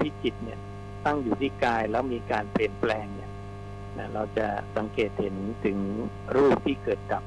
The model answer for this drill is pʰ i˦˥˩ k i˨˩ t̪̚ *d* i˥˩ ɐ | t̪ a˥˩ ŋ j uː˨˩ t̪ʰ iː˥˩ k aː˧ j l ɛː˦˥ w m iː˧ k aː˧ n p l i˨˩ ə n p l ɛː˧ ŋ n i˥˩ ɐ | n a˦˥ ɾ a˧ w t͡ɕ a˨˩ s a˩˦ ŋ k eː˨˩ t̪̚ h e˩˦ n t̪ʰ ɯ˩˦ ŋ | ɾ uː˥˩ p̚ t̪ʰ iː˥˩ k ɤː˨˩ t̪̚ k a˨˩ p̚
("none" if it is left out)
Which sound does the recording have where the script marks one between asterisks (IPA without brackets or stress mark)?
n